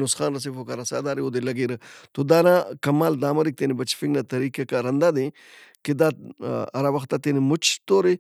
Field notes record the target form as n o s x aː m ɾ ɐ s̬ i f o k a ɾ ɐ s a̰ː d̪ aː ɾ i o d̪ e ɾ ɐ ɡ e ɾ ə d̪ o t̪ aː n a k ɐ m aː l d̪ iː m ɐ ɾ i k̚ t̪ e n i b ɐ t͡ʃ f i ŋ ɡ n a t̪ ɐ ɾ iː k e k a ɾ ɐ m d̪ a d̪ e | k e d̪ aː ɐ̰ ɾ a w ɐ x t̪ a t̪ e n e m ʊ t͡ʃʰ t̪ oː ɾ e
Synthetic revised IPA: n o s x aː n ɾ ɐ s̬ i f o k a ɾ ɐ s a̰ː d̪ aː ɾ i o d̪ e l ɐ ɡ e ɾ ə t̪ o d̪ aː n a k ɐ m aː l d̪ aː m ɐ ɾ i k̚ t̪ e n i b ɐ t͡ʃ f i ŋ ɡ n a t̪ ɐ ɾ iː k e k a ɾ ɐ n d̪ a d̪ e | k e d̪ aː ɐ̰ ɾ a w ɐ x t̪ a t̪ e n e m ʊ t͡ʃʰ t̪ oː ɾ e

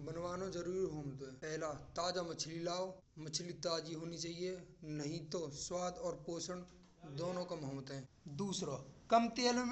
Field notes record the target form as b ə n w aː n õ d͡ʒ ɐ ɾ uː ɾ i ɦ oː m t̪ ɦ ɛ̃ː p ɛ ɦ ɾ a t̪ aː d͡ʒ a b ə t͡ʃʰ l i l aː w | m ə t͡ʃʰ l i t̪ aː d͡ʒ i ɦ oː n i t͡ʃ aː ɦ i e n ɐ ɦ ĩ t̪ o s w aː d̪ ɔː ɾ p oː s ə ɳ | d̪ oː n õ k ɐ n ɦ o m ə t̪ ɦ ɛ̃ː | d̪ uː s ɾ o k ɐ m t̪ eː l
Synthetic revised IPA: b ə n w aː n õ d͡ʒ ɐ ɾ uː ɾ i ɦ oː m t̪ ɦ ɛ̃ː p ɛ ɦ l a t̪ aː d͡ʒ a m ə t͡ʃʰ l i l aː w | m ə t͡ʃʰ l i t̪ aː d͡ʒ i ɦ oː n i t͡ʃ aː ɦ i e n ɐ ɦ ĩ t̪ o s w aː d̪ ɔː ɾ p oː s ə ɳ | d̪ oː n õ k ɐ m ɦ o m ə t̪ ɦ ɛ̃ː | d̪ uː s ɾ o k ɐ m t̪ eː l

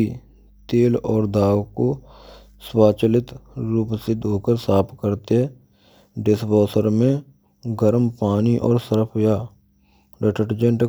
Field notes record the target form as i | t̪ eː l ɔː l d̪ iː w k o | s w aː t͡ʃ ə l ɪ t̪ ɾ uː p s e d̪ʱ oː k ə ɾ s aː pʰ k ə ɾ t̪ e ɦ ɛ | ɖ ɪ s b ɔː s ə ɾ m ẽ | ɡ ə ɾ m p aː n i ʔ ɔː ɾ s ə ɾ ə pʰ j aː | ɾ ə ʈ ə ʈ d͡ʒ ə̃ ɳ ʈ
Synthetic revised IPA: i | t̪ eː l ɔː ɾ d̪ aː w k o | s w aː t͡ʃ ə l ɪ t̪ ɾ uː p s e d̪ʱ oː k ə ɾ s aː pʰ k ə ɾ t̪ e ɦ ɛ | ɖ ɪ s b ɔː s ə ɾ m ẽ | ɡ ə ɾ m p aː n i ʔ ɔː ɾ s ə ɾ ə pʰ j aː | ɾ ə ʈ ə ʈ d͡ʒ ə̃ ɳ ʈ

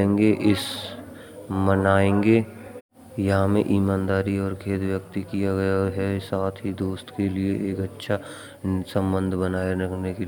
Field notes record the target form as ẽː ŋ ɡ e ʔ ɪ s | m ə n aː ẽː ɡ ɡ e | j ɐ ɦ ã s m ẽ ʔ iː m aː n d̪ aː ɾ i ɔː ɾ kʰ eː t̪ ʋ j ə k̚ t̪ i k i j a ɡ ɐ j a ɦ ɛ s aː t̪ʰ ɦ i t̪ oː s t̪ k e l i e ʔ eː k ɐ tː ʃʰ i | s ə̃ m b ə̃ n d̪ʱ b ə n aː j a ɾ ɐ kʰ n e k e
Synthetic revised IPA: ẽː ŋ ɡ e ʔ ɪ s | m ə n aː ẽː ŋ ɡ e | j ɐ ɦ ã m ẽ ʔ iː m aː n d̪ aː ɾ i ɔː ɾ kʰ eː t̪ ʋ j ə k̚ t̪ i k i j a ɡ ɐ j a ɦ ɛ s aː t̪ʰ ɦ i d̪ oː s t̪ k e l i e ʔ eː k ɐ tː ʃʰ a | s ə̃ m b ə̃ n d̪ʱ b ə n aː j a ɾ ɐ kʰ n e k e

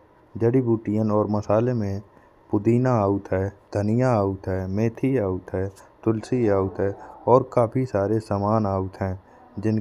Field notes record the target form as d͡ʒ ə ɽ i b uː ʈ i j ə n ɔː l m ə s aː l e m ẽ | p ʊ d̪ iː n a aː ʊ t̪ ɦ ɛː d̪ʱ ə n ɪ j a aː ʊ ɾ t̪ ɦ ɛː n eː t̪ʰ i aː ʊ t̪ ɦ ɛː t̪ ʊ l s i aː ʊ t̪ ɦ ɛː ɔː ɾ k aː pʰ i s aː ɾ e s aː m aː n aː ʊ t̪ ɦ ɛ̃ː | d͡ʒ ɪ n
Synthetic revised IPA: d͡ʒ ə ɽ i b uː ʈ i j ə n ɔː ɾ m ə s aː l e m ẽ | p ʊ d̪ iː n a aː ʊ t̪ ɦ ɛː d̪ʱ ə n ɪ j a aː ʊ t̪ ɦ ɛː m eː t̪ʰ i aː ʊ t̪ ɦ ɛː t̪ ʊ l s i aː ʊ t̪ ɦ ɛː ɔː ɾ k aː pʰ i s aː ɾ e s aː m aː n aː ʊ t̪ ɦ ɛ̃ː | d͡ʒ ɪ n

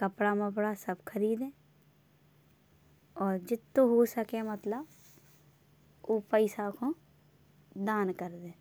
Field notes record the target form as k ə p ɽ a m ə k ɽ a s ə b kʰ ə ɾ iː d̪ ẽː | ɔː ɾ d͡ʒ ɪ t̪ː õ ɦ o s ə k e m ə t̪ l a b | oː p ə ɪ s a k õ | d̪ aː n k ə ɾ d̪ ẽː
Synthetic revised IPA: k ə p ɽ a m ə p ɽ a s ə b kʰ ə ɾ iː d̪ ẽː | ɔː ɾ d͡ʒ ɪ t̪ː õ ɦ o s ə k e m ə t̪ l ə b | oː p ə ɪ s a k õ | d̪ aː n k ə ɾ d̪ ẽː

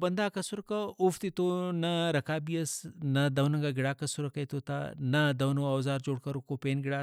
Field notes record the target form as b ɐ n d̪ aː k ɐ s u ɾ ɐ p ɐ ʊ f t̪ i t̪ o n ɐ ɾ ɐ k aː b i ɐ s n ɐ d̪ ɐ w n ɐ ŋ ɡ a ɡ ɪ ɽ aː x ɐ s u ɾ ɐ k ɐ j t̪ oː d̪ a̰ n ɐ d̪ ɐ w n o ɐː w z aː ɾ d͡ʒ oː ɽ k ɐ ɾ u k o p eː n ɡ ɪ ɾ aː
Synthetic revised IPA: b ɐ n d̪ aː k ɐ s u ɾ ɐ k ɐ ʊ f t̪ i t̪ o n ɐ ɾ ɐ k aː b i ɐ s n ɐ d̪ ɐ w n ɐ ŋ ɡ a ɡ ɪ ɽ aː k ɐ s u ɾ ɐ k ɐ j t̪ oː t̪ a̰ n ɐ d̪ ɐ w n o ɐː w z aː ɾ d͡ʒ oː ɽ k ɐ ɾ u k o p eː n ɡ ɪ ɽ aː

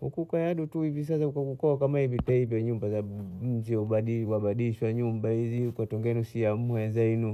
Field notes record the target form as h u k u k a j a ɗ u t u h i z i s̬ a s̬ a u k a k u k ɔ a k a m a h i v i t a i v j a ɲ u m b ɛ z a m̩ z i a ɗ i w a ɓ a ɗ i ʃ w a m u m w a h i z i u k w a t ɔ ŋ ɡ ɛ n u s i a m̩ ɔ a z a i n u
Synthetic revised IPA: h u k u k a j a ɗ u t u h i v i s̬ a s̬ a u k a k u k ɔ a k a m a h i v i t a i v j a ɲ u m b a z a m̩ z i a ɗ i w a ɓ a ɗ i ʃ w a ɲ u m b a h i z i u k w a t ɔ ŋ ɡ ɛ n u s i a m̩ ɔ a z a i n u

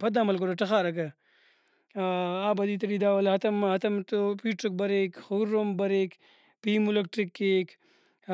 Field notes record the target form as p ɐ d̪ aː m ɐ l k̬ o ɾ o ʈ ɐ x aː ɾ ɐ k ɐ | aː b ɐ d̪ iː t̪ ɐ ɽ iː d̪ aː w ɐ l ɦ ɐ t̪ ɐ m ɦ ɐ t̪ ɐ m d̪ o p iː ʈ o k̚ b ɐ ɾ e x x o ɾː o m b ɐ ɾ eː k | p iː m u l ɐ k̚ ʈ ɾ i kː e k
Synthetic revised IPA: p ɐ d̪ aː m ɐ l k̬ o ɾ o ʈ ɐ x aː ɾ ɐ k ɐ | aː b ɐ d̪ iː t̪ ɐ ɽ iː d̪ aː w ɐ l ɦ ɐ t̪ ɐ m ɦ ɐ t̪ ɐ m t̪ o p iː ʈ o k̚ b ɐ ɾ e k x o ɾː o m b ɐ ɾ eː k | p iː m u l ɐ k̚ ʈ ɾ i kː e k

